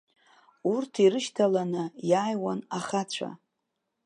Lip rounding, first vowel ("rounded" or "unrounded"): rounded